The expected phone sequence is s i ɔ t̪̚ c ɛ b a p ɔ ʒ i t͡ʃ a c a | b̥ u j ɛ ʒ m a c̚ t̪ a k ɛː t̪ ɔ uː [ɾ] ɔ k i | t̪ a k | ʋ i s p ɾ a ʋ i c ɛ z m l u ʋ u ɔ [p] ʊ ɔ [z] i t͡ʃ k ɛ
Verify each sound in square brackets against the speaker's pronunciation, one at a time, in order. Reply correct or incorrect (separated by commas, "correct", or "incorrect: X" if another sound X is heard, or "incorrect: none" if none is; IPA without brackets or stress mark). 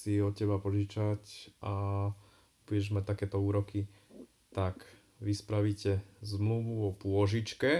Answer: correct, correct, incorrect: ʒ